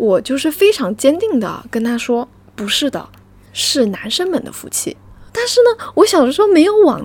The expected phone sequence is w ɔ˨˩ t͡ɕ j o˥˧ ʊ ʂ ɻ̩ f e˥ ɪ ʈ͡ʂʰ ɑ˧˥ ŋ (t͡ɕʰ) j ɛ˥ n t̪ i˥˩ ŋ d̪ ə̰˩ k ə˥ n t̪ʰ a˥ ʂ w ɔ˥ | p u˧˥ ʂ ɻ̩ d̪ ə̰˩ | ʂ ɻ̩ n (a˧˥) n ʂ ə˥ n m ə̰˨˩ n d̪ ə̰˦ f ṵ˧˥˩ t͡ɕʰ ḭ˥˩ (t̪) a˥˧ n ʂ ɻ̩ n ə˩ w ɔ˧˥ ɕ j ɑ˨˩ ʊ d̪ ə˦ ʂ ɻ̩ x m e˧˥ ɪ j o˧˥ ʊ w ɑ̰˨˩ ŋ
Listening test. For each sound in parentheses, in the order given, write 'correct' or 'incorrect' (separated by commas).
incorrect, correct, correct